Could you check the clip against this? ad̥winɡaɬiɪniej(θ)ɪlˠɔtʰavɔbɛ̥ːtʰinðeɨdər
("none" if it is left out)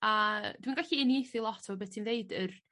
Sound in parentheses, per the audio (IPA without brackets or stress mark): θ